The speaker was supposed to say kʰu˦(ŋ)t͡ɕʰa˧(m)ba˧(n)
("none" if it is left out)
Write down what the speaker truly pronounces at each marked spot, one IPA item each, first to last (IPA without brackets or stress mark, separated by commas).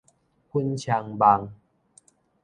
n, ŋ, ŋ